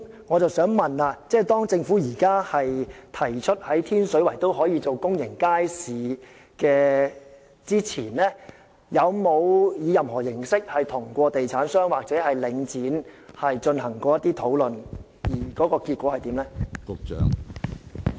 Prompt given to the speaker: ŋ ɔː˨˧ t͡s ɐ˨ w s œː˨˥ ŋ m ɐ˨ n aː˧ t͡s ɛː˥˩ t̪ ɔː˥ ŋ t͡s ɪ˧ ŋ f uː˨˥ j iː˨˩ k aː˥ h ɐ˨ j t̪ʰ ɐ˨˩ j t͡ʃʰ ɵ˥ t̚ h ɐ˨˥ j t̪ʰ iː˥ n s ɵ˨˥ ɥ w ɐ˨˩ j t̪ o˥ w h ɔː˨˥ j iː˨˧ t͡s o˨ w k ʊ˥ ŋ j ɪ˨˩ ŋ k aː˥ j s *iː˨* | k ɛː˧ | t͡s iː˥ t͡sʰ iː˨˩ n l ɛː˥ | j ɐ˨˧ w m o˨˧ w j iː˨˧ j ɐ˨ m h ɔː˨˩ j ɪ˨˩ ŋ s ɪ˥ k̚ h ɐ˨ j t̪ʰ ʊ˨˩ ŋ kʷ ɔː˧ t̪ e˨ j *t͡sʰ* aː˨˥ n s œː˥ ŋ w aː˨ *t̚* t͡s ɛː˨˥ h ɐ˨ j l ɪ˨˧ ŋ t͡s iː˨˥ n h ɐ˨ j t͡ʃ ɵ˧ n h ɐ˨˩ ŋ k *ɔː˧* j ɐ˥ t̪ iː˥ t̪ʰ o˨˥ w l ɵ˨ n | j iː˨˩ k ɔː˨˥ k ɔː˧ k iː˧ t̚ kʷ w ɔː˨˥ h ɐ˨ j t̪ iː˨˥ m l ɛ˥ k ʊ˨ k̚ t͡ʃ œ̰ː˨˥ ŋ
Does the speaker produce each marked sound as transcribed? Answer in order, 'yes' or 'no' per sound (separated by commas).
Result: yes, yes, no, yes